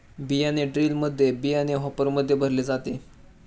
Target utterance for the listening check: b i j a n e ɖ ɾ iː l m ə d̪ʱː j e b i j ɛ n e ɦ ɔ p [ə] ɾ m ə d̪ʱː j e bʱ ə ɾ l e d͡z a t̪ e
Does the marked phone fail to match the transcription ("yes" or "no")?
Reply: no